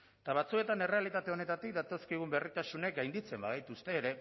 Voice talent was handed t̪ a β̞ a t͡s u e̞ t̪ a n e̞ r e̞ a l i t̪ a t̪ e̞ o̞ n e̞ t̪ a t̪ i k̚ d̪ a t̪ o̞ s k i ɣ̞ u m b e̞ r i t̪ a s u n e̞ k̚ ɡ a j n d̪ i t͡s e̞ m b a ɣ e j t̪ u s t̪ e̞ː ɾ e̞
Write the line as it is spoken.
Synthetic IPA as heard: t̪ a β̞ a t͡s u e̞ t̪ a n e̞ r e̞ a l i t̪ a t̪ e̞ o̞ n e̞ t̪ a t̪ i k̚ d̪ a t̪ o̞ s k i ɣ̞ u m b e̞ r i t̪ a s u n e̞ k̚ ɡ a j n d̪ i t͡s e̞ m b a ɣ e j t̪ u s t̪ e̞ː ɾ e̞